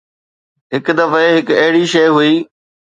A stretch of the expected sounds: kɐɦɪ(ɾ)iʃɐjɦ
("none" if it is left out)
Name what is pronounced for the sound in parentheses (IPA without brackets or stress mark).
ɽ